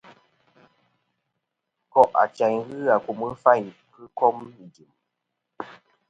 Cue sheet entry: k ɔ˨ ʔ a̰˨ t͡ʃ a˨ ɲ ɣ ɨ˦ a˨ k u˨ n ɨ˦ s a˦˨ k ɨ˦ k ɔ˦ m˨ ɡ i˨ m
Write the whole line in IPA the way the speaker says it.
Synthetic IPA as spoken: k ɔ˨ ʔ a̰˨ t͡ʃ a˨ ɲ ɣ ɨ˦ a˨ k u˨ m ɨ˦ f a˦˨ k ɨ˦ k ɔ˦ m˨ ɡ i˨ m